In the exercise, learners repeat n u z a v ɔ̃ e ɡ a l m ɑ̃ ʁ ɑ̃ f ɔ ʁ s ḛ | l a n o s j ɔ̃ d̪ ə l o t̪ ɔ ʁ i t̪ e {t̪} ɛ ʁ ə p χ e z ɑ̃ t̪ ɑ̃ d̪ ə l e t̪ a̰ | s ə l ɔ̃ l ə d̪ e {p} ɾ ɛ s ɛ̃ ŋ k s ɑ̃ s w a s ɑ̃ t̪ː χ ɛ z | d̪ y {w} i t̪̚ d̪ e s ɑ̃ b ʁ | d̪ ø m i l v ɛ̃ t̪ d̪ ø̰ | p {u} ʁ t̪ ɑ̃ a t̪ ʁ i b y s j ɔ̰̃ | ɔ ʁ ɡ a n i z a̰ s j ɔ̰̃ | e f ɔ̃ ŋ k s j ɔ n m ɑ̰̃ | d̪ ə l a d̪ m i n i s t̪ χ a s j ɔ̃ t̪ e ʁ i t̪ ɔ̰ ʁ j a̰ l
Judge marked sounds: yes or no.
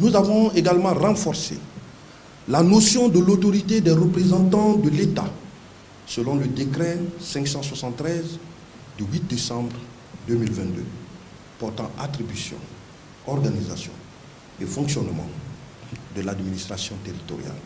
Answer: no, no, yes, no

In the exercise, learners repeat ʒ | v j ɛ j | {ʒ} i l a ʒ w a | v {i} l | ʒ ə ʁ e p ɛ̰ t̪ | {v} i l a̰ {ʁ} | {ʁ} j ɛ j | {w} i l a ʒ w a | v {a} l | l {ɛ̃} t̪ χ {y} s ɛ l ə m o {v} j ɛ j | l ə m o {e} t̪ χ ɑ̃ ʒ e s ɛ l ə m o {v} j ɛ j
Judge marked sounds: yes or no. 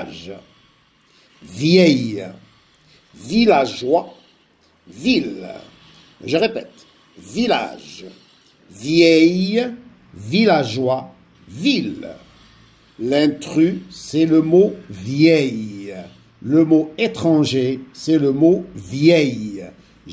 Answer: no, yes, yes, no, no, no, no, yes, yes, yes, yes, yes

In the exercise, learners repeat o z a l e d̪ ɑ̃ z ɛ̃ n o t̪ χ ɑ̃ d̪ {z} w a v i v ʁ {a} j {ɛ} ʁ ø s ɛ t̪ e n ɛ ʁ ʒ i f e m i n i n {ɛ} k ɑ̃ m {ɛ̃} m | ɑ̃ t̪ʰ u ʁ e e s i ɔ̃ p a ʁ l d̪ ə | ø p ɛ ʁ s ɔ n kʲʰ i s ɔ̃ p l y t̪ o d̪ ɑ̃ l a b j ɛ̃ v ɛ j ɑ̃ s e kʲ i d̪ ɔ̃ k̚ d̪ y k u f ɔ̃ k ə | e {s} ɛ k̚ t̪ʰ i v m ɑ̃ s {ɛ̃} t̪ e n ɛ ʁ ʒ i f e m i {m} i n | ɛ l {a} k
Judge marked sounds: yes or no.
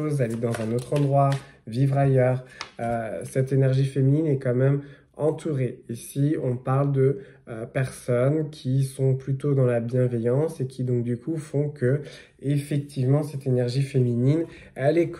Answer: no, yes, no, yes, no, no, no, no, no

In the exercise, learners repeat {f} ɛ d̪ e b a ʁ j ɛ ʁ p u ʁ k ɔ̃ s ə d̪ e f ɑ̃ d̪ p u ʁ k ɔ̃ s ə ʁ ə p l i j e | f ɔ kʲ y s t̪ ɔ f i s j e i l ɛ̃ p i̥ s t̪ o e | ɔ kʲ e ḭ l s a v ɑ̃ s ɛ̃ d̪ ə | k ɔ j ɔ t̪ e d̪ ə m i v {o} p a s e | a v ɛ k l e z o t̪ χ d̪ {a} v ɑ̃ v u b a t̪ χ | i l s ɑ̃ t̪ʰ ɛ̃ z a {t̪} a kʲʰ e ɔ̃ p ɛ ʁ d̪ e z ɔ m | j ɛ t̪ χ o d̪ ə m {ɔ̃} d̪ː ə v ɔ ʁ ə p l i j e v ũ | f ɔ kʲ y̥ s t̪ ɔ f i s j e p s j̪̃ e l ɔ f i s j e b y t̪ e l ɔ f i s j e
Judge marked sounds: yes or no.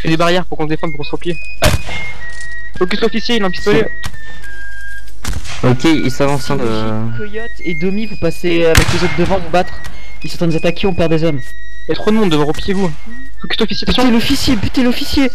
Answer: yes, no, no, yes, yes

